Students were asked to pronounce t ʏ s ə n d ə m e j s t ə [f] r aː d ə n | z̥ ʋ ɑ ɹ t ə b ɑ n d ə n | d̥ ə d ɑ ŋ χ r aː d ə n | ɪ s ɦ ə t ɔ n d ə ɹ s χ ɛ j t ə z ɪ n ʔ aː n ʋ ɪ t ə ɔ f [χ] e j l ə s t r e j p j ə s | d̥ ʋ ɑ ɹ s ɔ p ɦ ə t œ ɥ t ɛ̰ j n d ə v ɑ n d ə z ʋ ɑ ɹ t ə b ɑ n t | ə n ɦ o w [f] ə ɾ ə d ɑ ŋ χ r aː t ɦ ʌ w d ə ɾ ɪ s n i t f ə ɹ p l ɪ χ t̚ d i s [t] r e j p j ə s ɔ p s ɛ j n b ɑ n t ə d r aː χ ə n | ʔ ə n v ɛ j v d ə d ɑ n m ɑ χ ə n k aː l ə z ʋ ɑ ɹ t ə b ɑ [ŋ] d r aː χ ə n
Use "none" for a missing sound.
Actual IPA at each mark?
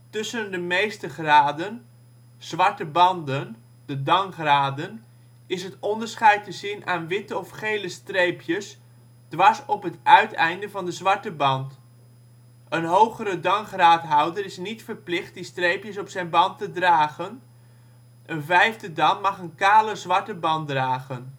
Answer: χ, χ, χ, t, n

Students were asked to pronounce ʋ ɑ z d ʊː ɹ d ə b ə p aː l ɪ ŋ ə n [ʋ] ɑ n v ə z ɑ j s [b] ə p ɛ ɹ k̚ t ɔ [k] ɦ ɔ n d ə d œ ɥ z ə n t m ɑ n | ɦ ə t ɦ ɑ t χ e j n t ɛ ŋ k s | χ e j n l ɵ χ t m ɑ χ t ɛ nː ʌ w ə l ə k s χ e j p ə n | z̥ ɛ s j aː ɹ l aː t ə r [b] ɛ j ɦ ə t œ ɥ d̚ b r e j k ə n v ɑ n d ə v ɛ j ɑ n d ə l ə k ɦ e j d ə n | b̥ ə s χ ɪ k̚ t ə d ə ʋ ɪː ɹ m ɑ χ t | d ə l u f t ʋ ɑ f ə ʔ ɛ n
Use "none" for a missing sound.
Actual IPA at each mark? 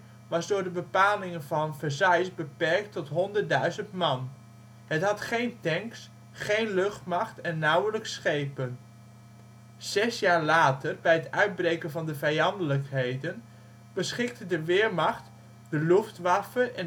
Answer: v, b, t, b

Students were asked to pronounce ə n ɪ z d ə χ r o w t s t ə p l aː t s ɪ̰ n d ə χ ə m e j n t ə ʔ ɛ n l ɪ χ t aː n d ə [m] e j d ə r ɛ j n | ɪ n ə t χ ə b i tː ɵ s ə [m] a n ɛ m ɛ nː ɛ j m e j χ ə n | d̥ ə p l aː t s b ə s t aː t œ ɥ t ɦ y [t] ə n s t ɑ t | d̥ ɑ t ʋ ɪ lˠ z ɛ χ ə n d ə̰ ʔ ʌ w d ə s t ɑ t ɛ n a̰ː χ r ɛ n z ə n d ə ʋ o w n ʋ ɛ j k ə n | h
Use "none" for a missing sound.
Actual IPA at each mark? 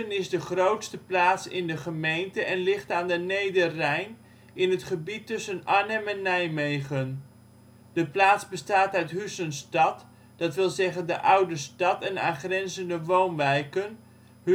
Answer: n, n, s

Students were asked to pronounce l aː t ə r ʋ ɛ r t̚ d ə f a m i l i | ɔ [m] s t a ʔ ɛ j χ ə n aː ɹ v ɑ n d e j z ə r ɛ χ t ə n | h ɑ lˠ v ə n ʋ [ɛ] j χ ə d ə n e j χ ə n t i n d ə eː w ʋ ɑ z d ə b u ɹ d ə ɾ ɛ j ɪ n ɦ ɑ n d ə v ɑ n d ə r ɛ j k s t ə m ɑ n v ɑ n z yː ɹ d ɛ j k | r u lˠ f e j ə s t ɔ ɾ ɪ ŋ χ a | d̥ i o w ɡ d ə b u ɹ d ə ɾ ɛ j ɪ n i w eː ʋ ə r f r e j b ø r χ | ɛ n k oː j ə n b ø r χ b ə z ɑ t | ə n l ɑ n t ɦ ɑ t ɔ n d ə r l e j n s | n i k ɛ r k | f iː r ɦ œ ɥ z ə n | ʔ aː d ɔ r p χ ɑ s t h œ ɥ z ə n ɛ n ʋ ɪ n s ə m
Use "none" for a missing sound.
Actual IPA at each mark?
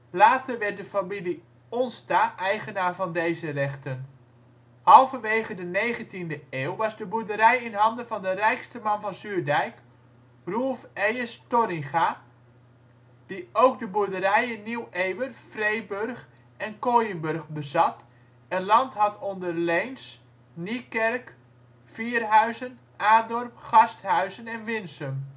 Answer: n, e

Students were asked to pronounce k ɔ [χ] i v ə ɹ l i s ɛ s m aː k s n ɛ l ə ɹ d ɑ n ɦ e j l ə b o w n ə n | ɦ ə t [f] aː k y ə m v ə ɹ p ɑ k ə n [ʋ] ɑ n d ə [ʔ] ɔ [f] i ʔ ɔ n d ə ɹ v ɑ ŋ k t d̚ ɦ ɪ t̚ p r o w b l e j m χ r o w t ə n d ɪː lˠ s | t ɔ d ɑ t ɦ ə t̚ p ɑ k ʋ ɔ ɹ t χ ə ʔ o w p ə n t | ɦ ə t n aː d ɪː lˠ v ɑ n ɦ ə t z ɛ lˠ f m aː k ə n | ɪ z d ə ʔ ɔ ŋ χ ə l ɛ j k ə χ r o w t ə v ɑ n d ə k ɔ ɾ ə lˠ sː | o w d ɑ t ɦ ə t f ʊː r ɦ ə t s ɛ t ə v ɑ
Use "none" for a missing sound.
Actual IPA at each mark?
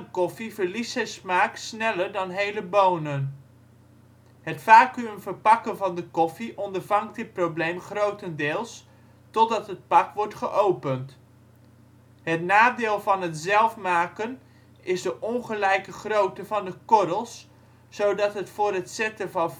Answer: f, f, v, k, f

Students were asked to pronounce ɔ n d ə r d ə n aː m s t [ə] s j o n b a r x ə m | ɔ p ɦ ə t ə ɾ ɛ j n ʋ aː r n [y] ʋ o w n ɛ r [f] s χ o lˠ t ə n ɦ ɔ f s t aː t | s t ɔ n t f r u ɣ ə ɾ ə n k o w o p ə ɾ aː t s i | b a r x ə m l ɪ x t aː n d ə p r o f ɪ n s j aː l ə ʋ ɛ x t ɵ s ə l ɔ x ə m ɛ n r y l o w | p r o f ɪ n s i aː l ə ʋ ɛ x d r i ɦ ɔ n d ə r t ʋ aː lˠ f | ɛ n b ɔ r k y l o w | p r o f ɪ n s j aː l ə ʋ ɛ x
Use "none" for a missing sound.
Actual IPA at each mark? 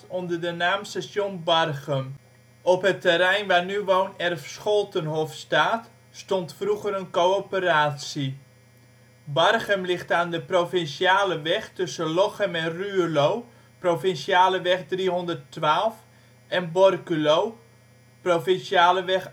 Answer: a, y, f

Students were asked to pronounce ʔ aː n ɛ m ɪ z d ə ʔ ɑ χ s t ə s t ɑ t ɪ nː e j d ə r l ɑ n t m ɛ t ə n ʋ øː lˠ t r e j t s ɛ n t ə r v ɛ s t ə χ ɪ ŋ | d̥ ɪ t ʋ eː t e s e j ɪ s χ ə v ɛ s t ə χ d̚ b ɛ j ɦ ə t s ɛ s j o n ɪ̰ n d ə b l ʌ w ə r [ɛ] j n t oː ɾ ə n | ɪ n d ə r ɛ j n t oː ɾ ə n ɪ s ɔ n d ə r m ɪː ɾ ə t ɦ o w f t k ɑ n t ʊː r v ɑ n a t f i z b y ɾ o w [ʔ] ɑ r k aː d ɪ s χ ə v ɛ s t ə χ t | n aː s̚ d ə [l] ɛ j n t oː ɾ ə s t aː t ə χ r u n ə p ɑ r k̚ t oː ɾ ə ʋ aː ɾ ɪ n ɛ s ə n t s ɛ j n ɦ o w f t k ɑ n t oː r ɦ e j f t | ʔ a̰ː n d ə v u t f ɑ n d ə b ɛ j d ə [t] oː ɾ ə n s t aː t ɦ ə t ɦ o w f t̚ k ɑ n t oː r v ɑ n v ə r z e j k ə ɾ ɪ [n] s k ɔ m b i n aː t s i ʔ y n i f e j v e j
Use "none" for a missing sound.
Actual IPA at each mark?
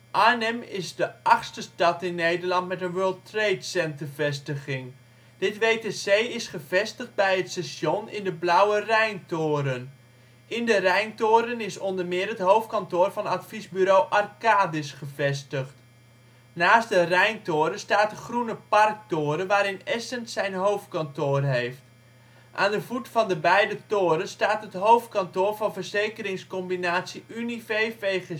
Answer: ɛ, ʔ, r, t, ŋ

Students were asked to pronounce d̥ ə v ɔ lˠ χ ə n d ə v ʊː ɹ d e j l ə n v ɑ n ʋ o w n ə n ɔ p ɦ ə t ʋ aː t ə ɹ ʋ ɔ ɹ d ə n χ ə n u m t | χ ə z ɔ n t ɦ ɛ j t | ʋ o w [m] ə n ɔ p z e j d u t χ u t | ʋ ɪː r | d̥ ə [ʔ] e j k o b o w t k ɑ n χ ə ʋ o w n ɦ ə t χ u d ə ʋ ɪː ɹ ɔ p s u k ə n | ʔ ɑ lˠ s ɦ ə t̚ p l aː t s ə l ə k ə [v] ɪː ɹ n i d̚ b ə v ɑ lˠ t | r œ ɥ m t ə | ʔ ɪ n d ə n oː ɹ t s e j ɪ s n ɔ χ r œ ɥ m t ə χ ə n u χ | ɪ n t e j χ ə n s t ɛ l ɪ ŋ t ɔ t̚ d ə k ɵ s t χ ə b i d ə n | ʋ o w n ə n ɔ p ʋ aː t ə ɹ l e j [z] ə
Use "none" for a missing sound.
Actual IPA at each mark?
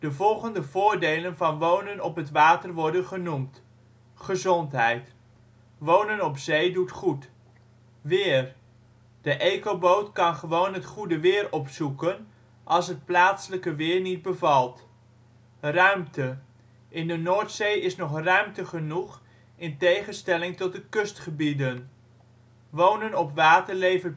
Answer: n, ʔ, ʋ, v

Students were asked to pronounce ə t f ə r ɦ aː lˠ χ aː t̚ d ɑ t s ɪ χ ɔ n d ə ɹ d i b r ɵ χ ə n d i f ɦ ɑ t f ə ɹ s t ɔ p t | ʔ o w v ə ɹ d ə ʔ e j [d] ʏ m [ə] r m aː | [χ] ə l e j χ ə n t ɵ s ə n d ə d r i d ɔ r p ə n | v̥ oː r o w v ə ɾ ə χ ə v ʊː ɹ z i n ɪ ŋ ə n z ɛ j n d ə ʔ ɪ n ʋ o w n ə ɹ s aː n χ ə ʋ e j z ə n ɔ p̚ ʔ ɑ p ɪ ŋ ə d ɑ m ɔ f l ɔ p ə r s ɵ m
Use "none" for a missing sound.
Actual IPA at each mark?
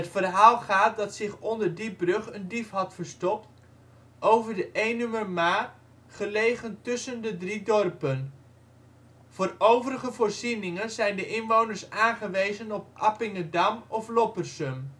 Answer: n, ə, χ

